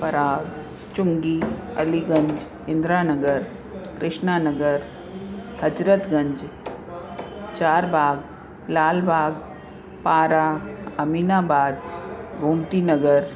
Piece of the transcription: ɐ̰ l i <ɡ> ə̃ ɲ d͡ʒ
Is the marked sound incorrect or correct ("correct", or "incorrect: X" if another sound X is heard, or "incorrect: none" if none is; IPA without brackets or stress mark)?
correct